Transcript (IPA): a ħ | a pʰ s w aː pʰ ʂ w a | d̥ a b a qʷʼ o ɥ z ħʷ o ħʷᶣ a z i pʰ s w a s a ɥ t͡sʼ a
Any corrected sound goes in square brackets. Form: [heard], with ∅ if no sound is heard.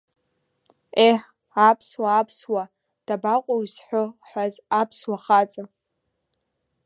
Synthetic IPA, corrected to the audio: [e] ħ | a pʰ s w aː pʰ [s] w a | d̥ a b a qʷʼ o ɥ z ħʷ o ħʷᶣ a z [a] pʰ s w a [χ] a [∅] t͡sʼ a